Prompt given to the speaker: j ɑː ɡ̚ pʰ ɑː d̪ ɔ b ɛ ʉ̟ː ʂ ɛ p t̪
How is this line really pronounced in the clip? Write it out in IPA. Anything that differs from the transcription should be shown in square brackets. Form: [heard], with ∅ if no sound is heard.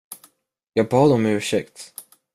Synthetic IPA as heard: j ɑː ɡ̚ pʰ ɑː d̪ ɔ [m] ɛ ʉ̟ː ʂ ɛ [k] t̪

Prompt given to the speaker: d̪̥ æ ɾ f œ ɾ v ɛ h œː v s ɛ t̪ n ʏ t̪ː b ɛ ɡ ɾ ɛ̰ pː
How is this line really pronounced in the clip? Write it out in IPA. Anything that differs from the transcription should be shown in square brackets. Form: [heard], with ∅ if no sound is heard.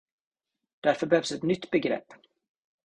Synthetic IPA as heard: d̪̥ æ ɾ f œ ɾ [b] ɛ h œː v s ɛ t̪ n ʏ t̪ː b ɛ ɡ ɾ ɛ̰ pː

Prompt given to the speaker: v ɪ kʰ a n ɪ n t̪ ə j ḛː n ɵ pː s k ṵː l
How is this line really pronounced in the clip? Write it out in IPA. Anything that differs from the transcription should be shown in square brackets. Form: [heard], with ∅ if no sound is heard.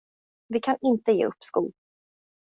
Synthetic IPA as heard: v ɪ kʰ a n ɪ n t̪ ə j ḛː [∅] ɵ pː s k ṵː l

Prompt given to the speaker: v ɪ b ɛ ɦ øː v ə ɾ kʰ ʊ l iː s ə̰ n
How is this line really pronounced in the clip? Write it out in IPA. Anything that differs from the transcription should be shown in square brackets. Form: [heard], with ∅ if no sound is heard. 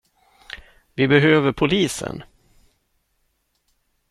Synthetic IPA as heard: v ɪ b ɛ ɦ øː v ə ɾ [pʰ] ʊ l iː s ə̰ n

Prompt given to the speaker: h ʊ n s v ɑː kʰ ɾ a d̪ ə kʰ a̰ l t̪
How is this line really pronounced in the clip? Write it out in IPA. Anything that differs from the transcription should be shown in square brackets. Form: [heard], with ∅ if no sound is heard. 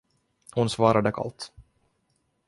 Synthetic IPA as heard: h ʊ n s v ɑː [∅] ɾ a d̪ ə kʰ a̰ l t̪

